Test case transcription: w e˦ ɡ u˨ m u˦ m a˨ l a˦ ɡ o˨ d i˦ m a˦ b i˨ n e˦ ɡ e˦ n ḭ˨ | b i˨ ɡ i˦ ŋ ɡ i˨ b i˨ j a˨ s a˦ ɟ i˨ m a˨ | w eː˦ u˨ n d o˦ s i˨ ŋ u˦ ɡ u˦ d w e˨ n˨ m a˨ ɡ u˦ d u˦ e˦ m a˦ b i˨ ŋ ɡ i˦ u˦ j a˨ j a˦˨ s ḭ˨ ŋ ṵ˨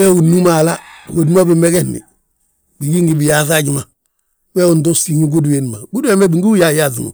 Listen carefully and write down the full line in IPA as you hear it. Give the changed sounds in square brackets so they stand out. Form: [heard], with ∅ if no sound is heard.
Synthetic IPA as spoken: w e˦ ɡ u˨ [n] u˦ m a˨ l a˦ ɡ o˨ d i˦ m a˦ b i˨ [m] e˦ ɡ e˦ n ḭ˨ | b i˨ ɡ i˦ ŋ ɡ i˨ b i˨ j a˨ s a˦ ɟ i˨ m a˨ | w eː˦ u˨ n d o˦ s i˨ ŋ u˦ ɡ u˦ d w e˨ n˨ m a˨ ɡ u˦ d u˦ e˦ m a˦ b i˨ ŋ ɡ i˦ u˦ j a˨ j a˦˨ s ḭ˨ ŋ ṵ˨

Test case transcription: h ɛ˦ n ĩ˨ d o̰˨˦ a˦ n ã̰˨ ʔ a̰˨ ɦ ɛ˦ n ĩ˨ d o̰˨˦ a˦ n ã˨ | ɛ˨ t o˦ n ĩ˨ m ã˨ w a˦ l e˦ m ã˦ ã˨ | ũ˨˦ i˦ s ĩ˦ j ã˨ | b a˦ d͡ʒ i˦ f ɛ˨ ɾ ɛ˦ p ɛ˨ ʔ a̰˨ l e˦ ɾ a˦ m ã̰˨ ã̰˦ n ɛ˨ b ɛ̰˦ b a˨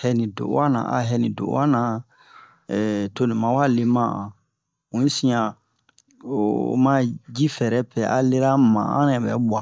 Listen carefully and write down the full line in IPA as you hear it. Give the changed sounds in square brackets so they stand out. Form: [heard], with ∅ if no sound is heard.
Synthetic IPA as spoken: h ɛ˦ n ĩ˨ d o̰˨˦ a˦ n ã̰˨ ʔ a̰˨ ɦ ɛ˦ n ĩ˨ d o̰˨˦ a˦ n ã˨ | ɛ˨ t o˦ n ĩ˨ m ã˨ w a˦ l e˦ m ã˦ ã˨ | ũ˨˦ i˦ s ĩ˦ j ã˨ | [m] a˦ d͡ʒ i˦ f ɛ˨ ɾ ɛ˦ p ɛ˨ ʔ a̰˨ l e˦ ɾ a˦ m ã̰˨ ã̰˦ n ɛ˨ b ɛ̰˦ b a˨

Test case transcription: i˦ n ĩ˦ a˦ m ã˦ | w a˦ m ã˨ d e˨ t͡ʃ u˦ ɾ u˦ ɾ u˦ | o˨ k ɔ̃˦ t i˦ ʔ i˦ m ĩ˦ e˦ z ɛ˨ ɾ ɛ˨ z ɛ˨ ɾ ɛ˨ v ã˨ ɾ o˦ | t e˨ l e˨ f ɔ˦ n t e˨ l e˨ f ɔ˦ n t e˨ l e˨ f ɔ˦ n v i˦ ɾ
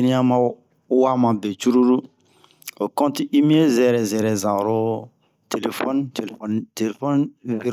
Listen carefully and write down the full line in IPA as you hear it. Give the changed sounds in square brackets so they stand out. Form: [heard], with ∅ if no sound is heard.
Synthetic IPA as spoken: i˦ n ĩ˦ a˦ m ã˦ | w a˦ m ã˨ [b] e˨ t͡ʃ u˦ ɾ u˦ ɾ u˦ | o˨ k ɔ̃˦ t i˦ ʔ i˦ m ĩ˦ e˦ z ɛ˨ ɾ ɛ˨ z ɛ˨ ɾ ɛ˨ [z] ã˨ ɾ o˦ | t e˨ l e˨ f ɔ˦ n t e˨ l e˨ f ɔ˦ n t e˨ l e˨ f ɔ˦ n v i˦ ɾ

